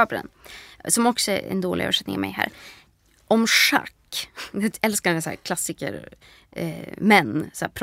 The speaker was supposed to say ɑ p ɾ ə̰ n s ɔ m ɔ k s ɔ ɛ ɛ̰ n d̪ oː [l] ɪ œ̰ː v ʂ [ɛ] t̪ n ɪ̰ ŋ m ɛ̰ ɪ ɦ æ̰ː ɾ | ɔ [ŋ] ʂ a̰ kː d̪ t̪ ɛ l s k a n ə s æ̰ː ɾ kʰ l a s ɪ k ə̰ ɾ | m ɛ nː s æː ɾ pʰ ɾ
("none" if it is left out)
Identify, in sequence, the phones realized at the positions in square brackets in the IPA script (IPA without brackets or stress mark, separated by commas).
l, ɛ, m